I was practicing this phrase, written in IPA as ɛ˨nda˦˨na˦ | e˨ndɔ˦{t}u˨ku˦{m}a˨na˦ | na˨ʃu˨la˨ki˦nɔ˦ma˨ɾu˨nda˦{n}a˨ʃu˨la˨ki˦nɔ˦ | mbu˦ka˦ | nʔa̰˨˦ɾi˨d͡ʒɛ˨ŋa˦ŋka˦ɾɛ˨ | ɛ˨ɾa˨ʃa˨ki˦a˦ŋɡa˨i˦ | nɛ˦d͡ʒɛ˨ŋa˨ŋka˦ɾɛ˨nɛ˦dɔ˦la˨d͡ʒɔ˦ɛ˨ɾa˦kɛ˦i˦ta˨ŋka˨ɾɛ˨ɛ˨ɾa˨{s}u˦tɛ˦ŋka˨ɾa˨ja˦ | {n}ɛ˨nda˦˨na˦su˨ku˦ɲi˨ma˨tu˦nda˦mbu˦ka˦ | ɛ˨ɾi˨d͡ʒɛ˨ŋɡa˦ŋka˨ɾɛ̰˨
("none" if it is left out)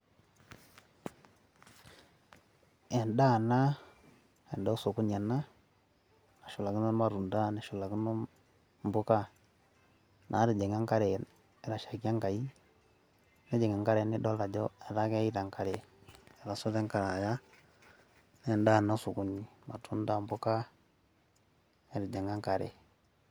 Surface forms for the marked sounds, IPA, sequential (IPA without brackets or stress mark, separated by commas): s, ɲ, n, s, n